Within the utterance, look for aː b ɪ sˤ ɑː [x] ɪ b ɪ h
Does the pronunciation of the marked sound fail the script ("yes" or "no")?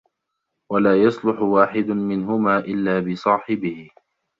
yes